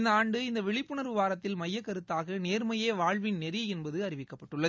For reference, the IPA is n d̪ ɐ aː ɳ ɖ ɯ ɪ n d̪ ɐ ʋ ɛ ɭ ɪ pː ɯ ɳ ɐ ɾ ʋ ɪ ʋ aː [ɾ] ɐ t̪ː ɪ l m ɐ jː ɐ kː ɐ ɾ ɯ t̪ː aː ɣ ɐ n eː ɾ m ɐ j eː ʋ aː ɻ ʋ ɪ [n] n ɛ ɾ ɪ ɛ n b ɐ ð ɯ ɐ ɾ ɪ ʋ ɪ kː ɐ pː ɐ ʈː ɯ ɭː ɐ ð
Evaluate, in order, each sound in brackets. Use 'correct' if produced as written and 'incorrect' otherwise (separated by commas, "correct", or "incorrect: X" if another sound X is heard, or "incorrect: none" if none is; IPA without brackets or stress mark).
correct, correct